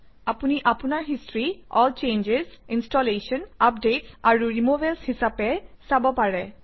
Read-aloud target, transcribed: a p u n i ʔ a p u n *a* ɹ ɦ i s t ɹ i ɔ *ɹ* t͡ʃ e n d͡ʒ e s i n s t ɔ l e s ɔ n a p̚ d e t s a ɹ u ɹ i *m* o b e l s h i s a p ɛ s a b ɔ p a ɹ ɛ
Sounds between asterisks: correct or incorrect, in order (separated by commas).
correct, incorrect, correct